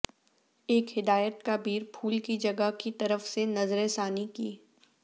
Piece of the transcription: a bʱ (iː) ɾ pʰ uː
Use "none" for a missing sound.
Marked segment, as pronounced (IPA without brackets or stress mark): iː